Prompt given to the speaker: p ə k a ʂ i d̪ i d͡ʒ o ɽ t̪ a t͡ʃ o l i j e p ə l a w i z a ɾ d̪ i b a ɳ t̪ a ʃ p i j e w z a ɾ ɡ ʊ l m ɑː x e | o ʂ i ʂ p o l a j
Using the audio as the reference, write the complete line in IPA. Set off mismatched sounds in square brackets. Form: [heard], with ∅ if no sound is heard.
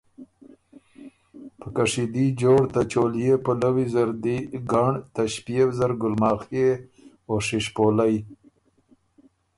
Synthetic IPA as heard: p ə k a ʂ i d̪ i d͡ʒ o ɽ t̪ a t͡ʃ o l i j e p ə l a w i z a ɾ d̪ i [ɡ] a ɳ t̪ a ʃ p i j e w z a ɾ ɡ ʊ l m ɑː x e | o ʂ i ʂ p o l a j